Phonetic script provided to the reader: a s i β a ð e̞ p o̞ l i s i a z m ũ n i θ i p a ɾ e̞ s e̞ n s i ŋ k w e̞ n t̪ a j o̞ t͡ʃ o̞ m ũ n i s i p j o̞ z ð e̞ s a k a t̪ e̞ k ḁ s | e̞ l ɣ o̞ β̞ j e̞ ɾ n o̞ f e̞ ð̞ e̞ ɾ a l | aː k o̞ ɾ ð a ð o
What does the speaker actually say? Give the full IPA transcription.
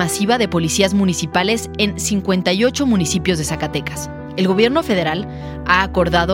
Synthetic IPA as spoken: a s i β a ð e̞ p o̞ l i s i a z m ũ n i s i p a l e̞ s e̞ n s i ŋ k w e̞ n t̪ a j o̞ t͡ʃ o̞ m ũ n i s i p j o̞ z ð e̞ s a k a t̪ e̞ k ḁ s | e̞ l ɣ o̞ β̞ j e̞ ɾ n o̞ f e̞ ð̞ e̞ ɾ a l | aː k o̞ ɾ ð a ð o